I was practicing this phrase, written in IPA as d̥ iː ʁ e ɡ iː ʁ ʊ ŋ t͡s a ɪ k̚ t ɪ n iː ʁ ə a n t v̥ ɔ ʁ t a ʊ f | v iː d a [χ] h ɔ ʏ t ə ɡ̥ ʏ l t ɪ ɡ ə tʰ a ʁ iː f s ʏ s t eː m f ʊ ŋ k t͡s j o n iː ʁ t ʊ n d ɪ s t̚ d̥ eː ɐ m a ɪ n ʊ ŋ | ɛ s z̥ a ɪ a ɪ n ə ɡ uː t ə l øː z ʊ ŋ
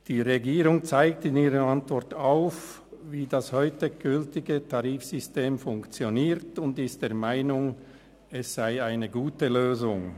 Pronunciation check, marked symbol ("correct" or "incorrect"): incorrect